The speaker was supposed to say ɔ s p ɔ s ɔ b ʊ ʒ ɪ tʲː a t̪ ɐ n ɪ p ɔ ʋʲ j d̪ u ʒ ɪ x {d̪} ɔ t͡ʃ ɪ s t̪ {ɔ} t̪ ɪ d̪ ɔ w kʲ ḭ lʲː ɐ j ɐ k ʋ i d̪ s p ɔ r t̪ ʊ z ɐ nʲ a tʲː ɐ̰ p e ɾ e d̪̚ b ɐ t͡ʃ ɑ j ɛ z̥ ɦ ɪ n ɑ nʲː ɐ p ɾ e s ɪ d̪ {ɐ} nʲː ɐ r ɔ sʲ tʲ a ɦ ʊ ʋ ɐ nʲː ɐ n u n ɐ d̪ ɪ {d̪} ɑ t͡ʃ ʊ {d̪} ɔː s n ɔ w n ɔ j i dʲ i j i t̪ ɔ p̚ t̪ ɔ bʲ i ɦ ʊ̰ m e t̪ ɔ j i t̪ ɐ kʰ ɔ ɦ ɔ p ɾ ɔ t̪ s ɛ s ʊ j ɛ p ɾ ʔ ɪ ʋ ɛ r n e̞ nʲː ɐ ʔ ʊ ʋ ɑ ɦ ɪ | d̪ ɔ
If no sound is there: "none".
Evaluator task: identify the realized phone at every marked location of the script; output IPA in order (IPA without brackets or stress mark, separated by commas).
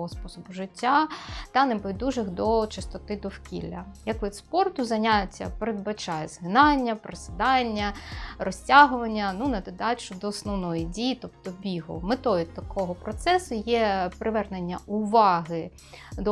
d̪, ɔ, ɑ, d̪, d̪